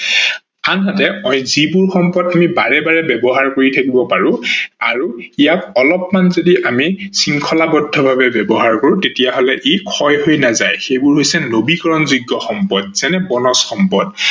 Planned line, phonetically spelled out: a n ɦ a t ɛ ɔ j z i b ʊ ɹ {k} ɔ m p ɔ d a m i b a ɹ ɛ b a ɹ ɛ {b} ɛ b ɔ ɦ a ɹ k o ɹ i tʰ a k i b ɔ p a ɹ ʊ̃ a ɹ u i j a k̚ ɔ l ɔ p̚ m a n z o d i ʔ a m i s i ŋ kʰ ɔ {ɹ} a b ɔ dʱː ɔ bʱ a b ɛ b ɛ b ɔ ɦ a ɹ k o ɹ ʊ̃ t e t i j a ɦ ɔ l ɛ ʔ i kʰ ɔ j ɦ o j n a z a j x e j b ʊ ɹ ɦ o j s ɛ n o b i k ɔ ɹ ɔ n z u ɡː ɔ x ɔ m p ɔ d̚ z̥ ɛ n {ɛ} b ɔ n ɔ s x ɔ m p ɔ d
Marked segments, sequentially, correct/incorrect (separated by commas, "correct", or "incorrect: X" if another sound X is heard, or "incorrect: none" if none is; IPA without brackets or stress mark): incorrect: x, correct, incorrect: l, correct